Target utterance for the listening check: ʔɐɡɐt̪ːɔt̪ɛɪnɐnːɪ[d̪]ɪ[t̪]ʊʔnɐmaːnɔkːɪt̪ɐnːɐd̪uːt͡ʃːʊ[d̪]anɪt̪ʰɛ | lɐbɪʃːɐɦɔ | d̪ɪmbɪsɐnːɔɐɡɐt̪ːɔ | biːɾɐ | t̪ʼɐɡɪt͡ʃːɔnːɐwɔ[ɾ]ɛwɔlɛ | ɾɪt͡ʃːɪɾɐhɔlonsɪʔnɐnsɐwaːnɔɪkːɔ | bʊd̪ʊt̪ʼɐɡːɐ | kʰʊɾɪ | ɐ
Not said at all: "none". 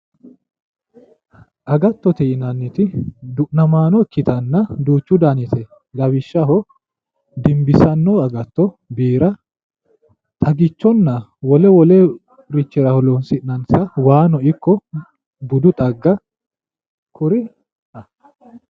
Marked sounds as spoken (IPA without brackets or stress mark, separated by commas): t̪, d̪, d̪, l